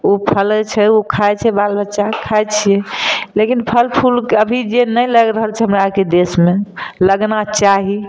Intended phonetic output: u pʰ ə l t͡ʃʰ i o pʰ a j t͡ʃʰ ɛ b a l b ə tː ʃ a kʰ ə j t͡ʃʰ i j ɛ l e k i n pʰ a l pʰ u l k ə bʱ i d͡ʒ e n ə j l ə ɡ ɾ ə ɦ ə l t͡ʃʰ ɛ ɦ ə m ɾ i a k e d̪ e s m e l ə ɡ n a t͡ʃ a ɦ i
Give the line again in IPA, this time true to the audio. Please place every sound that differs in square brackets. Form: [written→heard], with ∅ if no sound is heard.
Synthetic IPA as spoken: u pʰ ə l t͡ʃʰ [i→ɛ] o [pʰ→kʰ] a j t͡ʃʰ ɛ b a l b ə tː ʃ a kʰ [ə→a] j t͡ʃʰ i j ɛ l e k i n pʰ [a→ə] l pʰ u l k ə bʱ i d͡ʒ e n ə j l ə ɡ ɾ ə ɦ ə l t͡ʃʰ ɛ ɦ ə m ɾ [i→a] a k e d̪ e s m e l ə ɡ n a t͡ʃ a ɦ i